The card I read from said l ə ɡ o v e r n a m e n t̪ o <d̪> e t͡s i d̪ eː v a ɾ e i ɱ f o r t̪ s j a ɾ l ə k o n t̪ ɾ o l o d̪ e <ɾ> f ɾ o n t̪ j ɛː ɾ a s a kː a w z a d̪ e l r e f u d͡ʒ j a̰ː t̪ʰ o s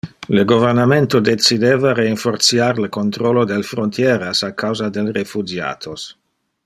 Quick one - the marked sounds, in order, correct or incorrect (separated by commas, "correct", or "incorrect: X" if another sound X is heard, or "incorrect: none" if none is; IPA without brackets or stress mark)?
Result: correct, incorrect: l